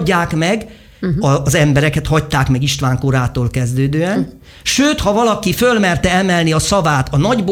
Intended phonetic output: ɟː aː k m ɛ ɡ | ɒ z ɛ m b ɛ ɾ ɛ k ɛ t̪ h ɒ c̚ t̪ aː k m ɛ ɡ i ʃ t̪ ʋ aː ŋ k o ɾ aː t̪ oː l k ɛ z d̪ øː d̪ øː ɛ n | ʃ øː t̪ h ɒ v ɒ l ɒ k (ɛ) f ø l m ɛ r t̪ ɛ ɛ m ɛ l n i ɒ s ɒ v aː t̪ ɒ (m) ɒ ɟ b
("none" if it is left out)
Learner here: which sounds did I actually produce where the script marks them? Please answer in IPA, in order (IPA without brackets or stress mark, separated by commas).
i, n